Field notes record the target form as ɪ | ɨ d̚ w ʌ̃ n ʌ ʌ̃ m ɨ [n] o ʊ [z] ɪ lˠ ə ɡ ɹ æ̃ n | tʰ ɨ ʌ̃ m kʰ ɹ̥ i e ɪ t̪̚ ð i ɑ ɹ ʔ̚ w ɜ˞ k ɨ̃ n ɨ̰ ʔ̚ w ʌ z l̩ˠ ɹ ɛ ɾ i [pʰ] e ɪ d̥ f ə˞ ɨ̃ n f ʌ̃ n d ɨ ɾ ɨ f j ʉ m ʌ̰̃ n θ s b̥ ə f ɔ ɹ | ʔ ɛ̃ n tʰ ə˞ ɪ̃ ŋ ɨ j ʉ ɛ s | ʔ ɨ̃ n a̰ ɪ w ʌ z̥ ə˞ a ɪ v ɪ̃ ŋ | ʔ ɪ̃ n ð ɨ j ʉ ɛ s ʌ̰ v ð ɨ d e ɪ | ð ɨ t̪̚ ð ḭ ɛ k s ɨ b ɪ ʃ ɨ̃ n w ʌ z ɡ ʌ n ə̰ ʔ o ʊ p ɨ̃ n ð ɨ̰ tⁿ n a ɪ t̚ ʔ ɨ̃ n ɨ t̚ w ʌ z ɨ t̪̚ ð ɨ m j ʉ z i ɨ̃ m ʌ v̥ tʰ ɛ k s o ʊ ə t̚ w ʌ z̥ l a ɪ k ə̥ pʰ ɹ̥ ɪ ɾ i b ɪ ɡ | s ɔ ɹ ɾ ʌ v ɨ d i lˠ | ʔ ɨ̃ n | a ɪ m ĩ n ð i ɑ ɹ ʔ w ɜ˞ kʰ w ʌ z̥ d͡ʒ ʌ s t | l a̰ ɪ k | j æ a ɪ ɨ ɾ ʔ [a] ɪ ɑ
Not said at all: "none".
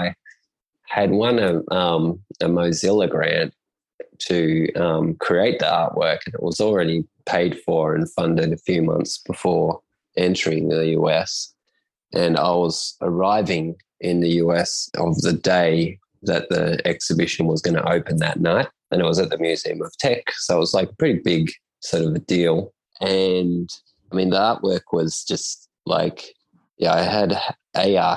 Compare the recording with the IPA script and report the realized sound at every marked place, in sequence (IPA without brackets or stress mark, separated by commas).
m, z, pʰ, e